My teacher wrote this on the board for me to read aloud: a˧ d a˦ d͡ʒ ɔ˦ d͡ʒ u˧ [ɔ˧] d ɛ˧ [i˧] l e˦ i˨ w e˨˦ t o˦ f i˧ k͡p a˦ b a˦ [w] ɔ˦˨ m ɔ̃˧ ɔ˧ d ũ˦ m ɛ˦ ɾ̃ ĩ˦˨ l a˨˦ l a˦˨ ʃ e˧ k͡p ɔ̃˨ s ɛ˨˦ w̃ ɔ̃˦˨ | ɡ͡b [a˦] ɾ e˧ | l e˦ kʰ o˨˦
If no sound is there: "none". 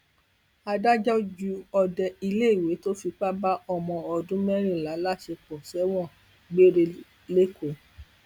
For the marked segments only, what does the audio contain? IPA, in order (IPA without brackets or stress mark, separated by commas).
ɔ˧, i˧, none, e˦